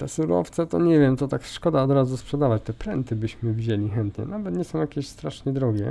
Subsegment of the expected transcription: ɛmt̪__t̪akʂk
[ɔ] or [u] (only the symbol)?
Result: ɔ